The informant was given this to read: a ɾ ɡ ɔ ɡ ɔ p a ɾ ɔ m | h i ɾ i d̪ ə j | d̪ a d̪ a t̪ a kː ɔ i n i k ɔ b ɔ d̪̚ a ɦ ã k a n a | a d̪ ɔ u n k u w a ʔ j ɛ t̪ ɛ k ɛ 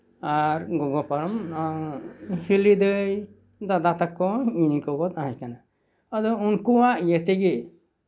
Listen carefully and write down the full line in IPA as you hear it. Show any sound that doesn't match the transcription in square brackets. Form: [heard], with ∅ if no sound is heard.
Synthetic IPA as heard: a ɾ ɡ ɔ ɡ ɔ p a ɾ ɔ m | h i [l] i d̪ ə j | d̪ a d̪ a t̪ a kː ɔ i n i k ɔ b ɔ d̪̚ a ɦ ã k a n a | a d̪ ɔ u n k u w a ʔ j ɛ t̪ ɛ [ɡ] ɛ